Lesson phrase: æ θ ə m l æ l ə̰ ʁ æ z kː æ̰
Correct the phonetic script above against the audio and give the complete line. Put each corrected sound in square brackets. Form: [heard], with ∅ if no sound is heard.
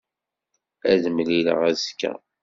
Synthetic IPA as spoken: æ [ð] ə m l [i] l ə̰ ʁ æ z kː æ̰